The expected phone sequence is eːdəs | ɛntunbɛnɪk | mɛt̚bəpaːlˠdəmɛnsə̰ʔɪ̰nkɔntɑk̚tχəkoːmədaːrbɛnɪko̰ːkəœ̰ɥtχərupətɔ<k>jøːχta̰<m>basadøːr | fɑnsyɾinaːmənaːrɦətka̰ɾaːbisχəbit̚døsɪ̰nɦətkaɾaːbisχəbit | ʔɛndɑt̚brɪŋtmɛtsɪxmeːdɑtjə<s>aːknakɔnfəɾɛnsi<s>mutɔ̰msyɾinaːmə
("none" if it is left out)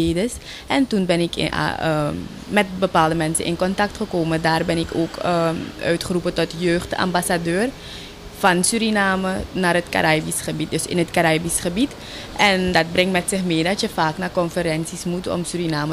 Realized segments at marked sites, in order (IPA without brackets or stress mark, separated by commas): t, m, f, s